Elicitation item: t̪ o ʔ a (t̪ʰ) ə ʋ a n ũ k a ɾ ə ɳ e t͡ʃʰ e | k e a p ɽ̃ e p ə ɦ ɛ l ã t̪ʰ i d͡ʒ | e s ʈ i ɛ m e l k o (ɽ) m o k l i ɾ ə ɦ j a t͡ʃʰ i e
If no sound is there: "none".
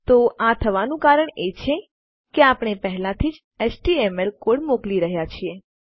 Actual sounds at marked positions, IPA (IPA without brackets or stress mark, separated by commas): t̪ʰ, ɽ